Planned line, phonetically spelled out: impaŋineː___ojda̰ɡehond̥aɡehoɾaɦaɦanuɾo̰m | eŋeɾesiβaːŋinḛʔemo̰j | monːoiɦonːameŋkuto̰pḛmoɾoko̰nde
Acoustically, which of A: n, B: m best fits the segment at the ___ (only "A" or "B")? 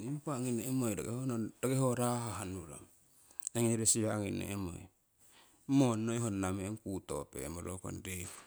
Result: B